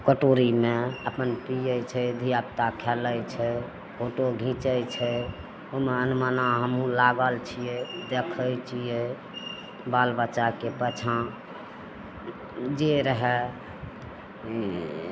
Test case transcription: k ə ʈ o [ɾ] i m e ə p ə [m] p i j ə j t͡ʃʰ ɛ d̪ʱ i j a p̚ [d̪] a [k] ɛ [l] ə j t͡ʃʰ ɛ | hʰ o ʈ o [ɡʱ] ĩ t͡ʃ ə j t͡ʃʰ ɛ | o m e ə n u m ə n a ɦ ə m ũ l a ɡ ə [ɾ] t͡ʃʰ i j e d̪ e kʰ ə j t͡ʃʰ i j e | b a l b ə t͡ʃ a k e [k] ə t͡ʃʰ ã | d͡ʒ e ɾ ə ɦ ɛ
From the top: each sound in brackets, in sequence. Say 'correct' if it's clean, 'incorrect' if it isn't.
correct, incorrect: n, incorrect: t̪, incorrect: kʰ, correct, correct, incorrect: l, incorrect: p

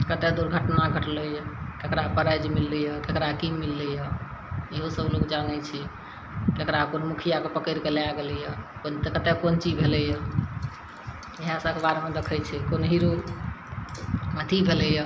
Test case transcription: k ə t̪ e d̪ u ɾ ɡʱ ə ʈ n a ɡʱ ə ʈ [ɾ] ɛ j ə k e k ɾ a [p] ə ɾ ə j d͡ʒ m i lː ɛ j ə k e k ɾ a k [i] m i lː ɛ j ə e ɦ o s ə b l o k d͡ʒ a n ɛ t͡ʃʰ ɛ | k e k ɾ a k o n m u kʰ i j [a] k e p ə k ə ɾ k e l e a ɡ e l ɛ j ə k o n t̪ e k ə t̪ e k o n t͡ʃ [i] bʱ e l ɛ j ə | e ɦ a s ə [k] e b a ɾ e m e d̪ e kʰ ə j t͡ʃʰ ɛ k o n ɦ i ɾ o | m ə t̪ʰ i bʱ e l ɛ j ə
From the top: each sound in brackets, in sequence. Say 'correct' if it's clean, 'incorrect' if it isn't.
incorrect: l, correct, correct, correct, correct, correct

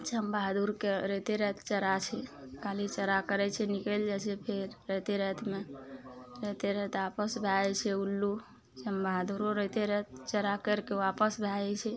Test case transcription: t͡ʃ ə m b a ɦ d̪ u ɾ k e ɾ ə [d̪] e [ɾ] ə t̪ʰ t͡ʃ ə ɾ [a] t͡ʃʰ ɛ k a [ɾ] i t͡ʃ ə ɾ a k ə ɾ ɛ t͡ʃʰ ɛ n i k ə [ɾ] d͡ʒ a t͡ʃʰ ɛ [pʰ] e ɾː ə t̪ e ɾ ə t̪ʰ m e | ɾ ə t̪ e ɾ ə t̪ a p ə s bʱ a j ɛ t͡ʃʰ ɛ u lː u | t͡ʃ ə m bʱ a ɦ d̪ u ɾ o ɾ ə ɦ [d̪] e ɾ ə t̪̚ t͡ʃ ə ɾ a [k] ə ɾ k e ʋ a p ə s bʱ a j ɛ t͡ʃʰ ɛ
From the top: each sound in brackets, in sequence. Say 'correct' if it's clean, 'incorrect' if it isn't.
incorrect: t̪, correct, correct, incorrect: l, incorrect: l, correct, incorrect: t̪, correct

